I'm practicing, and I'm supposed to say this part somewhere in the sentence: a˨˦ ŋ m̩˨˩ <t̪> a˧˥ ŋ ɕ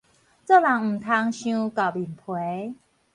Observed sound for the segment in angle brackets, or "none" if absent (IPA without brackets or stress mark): t̪ʰ